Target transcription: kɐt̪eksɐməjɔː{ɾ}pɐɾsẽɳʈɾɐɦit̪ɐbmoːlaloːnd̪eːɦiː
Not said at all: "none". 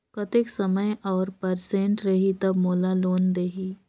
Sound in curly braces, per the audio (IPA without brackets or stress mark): ɾ